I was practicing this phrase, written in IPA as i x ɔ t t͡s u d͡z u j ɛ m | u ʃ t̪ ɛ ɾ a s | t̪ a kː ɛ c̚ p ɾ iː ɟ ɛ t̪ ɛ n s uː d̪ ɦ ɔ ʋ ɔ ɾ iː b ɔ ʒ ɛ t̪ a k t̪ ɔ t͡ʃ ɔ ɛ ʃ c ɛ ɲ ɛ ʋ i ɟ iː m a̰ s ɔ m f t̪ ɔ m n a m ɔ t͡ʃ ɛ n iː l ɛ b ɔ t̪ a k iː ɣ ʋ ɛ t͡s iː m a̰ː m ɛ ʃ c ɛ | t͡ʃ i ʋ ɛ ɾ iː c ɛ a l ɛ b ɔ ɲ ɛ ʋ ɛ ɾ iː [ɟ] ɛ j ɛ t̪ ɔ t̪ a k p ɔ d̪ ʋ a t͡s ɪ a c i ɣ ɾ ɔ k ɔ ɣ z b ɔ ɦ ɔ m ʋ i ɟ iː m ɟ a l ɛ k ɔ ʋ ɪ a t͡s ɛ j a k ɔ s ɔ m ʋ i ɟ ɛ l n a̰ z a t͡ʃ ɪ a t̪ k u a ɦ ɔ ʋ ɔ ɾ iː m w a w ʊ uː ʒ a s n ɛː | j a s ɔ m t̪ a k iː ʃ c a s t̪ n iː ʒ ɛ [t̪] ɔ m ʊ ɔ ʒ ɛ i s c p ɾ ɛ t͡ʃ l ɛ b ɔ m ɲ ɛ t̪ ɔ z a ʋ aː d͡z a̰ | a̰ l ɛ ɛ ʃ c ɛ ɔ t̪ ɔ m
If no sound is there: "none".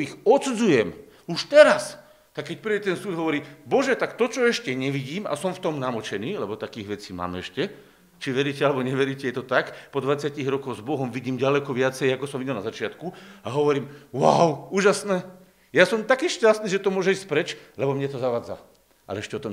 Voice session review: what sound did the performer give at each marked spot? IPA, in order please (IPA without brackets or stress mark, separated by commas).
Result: c, t̪